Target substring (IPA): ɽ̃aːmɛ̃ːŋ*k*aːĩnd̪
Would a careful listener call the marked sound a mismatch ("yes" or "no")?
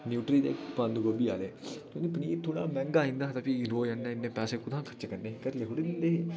yes